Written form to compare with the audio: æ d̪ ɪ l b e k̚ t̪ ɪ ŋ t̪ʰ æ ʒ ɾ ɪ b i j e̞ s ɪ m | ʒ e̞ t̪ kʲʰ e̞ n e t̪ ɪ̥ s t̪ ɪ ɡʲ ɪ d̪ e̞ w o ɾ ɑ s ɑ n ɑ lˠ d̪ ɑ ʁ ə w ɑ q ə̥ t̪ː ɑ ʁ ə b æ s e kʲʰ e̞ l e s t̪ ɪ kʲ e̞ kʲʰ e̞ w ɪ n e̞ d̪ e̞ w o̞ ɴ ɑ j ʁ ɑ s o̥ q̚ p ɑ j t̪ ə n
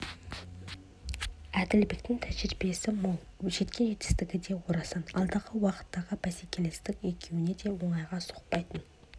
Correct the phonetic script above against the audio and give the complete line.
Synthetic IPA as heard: æ d̪ ɪ l b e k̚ t̪ ɪ ŋ t̪ʰ æ ʒ ɾ ɪ b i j e̞ s ɪ m | ʒ e̞ t̪ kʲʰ e̞ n e t̪ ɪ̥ s t̪ ɪ ɡʲ ɪ d̪ e̞ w o ɾ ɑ s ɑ n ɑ lˠ d̪ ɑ ʁ ə w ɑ q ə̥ t̪ː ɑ ʁ ə b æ s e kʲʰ e̞ l e s t̪ ɪ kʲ e̞ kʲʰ e̞ w ɪ n e̞ d̪ e̞ w o̞ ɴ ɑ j ʁ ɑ s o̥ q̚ p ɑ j t̪ ə n

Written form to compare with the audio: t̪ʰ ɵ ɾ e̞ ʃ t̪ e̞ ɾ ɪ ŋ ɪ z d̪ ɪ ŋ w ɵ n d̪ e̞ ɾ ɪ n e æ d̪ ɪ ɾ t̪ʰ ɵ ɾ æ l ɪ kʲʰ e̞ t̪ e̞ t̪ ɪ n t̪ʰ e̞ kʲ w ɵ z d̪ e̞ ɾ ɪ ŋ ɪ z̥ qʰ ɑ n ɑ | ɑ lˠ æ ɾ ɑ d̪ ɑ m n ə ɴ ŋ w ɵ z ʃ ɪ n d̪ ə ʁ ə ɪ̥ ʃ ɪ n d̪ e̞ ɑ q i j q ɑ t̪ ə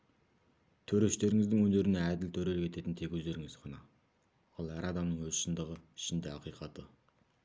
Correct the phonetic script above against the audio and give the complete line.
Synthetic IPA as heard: t̪ʰ ɵ ɾ e̞ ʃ t̪ e̞ ɾ ɪ ŋ ɪ z d̪ ɪ ŋ w ɵ n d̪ e̞ ɾ ɪ n e æ d̪ ɪ l t̪ʰ ɵ ɾ e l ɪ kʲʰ e̞ t̪ e̞ t̪ ɪ n t̪ʰ e̞ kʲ w ɵ z d̪ e̞ ɾ ɪ ŋ ɪ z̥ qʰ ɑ n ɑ | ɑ lˠ æ ɾ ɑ d̪ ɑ m n ə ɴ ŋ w ɵ z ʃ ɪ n d̪ ə ʁ ə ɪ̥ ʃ ɪ n d̪ e̞ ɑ q i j q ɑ t̪ ə

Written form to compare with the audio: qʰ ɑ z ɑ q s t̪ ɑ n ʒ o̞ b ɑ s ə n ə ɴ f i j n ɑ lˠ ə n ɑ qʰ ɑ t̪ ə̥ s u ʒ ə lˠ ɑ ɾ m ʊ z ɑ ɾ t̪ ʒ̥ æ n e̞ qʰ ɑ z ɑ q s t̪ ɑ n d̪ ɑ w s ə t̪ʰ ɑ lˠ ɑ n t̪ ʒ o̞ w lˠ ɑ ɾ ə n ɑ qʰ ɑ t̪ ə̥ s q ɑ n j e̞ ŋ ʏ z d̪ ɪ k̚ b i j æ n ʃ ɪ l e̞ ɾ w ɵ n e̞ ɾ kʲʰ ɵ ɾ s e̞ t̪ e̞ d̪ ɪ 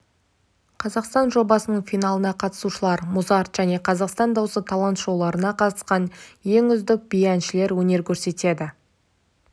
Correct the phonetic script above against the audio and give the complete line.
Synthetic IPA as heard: qʰ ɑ z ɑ q s t̪ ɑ n ʒ o̞ b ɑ s ə n ə ɴ f i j n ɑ lˠ ə n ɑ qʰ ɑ t̪ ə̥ s u ʃ ə lˠ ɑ ɾ m ʊ z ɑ ɾ t̪ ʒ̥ æ n e̞ qʰ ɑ z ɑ q s t̪ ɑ n d̪ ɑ w s ə t̪ʰ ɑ lˠ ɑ n t̪ ʒ o̞ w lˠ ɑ ɾ ə n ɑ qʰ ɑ t̪ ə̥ s q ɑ n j e̞ ŋ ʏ z d̪ ɪ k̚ b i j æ n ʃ ɪ l e̞ ɾ w ɵ n e̞ ɾ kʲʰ ɵ ɾ s e̞ t̪ e̞ d̪ ɪ

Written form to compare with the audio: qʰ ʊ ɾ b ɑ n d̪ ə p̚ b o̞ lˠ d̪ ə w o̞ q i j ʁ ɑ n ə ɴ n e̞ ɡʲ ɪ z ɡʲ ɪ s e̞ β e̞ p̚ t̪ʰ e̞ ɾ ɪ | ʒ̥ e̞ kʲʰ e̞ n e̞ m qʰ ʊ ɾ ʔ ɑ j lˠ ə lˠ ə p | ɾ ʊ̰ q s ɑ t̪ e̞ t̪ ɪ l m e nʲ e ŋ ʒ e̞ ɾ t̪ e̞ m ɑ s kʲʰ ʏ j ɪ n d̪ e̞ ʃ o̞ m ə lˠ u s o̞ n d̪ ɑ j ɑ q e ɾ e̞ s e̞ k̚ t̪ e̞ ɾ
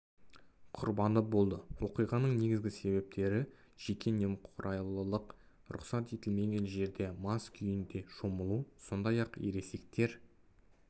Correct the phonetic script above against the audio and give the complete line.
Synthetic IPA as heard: qʰ ʊ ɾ b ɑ n d̪ ə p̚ b o̞ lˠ d̪ ə w o̞ q i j ʁ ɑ n ə ɴ n e̞ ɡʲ ɪ z ɡʲ ɪ s e̞ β e̞ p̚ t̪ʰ e̞ ɾ ɪ | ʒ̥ e̞ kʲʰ e̞ n e̞ m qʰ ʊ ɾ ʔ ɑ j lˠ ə lˠ ə q | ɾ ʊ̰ q s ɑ t̪ e̞ t̪ ɪ l m e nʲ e n ʒ e̞ ɾ d̪ e̞ m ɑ s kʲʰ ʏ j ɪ n d̪ e̞ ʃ o̞ m ə lˠ u s o̞ n d̪ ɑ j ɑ q e ɾ e̞ s e̞ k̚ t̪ e̞ ɾ

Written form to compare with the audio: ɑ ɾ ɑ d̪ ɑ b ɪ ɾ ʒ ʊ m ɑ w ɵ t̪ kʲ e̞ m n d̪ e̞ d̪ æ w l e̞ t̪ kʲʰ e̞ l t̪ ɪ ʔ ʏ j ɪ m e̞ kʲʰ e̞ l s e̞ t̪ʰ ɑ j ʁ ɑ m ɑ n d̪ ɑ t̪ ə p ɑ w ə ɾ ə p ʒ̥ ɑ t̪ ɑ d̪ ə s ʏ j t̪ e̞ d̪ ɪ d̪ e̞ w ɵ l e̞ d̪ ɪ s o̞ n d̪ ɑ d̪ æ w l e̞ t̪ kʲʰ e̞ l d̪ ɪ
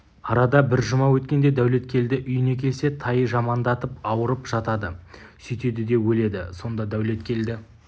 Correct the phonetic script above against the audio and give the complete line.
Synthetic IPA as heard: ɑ ɾ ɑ d̪ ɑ b ɪ ɾ ʒ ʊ m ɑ w ɵ t̪ kʲ e̞ n d̪ e̞ d̪ æ w l e̞ t̪ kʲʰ e̞ l d̪ ɪ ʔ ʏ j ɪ n e̞ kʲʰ e̞ l s e̞ t̪ʰ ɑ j ʒ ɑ m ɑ n d̪ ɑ t̪ ə p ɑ w ə ɾ ə p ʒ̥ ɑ t̪ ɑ d̪ ə s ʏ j t̪ e̞ d̪ ɪ d̪ e̞ w ɵ l e̞ d̪ ɪ s o̞ n d̪ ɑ d̪ æ w l e̞ t̪ kʲʰ e̞ l d̪ ɪ

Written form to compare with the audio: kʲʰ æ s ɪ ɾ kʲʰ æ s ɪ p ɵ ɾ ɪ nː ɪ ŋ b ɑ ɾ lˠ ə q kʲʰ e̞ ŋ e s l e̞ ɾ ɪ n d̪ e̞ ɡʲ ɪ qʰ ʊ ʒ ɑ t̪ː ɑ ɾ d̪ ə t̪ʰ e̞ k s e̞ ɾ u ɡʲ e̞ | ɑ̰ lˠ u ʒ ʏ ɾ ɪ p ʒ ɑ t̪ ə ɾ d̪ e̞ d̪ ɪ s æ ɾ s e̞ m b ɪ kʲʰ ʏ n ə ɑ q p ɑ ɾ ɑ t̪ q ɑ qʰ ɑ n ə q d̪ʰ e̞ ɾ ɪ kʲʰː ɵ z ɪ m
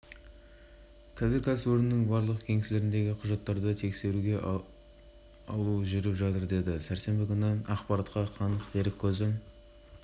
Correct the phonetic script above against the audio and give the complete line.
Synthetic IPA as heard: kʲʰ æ z ɪ ɾ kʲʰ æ s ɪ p ɵ ɾ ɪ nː ɪ ŋ b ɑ ɾ lˠ ə q kʲʰ e̞ ŋ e s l e̞ ɾ ɪ n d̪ e̞ ɡʲ ɪ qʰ ʊ ʒ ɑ t̪ː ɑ ɾ d̪ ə t̪ʰ e̞ k s e̞ ɾ u ɡʲ e̞ | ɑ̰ lˠ u ʒ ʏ ɾ ɪ p ʒ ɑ t̪ ə ɾ d̪ e̞ d̪ ɪ s æ ɾ s e̞ m b ɪ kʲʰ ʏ n ə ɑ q p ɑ ɾ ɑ t̪ q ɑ qʰ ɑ n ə q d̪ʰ e̞ ɾ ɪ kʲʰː ɵ z ɪ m

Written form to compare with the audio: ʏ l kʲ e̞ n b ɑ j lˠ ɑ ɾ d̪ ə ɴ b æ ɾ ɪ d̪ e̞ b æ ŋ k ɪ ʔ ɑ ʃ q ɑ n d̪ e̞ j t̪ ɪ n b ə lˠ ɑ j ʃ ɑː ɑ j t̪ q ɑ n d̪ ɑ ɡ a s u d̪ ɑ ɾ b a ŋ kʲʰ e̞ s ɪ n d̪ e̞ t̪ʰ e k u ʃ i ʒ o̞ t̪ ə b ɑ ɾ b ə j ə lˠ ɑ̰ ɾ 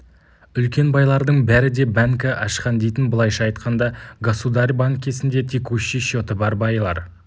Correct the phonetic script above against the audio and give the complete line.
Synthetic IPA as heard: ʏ l kʲ e̞ n b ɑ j lˠ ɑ ɾ d̪ ə ɴ b æ ɾ ɪ d̪ e̞ b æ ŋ k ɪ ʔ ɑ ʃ q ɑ n d̪ e̞ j t̪ ɪ n b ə lˠ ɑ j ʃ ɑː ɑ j t̪ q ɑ n d̪ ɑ ɡ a s u d̪ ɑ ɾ b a ŋ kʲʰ e̞ s ɪ n d̪ e̞ t̪ʰ e k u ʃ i ʃ o̞ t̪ ə b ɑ ɾ b ɑ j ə lˠ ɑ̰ ɾ

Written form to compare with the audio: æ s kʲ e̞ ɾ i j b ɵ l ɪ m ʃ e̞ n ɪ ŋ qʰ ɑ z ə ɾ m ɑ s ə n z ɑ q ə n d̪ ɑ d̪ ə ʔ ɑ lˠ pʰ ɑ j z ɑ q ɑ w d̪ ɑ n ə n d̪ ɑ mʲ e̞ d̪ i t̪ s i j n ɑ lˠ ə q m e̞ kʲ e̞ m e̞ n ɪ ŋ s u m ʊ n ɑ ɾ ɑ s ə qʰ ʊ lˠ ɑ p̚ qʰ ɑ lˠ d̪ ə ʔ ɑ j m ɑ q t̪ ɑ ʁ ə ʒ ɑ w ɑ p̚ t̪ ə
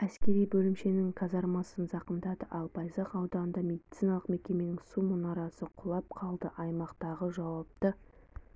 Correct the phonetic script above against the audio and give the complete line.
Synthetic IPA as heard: æ s kʲ e̞ ɾ i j b ɵ l ɪ m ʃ e̞ n ɪ ŋ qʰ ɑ z ɑ ɾ m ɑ s ə n z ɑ q ə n d̪ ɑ d̪ ə ʔ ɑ lˠ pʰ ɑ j z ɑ q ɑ w d̪ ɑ n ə n d̪ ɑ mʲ e̞ d̪ i t̪ s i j n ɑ lˠ ə q m e̞ kʲ e̞ m e̞ n ɪ ŋ s u m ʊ n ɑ ɾ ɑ s ə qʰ ʊ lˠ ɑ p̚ qʰ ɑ lˠ d̪ ə ʔ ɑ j m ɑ q t̪ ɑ ʁ ə ʒ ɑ w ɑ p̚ t̪ ə

